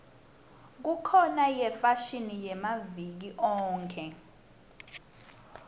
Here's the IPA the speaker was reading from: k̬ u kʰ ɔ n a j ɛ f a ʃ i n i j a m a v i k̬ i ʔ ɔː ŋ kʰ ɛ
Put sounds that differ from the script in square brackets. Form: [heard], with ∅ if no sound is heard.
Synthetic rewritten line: k̬ u kʰ ɔ n a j ɛ f a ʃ i n i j [ɛ] m a v i k̬ i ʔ ɔː ŋ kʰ ɛ